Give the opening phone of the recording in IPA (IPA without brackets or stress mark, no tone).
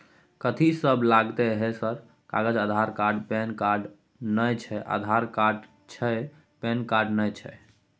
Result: k